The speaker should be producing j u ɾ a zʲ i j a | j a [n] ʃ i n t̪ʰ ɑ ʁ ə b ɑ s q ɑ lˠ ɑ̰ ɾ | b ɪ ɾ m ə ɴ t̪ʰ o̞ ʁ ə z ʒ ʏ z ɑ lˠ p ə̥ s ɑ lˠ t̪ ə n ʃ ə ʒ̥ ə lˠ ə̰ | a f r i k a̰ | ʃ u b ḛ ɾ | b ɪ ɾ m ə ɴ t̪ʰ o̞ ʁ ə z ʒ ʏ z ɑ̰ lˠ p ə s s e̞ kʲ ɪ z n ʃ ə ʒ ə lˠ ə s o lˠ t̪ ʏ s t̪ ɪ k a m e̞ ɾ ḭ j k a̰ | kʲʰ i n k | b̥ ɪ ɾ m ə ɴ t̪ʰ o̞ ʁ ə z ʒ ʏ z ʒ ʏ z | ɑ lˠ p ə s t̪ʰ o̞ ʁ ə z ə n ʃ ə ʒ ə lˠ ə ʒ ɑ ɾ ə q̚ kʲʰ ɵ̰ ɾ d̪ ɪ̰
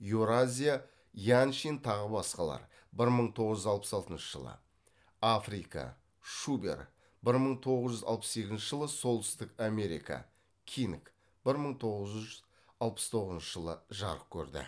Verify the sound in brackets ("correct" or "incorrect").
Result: correct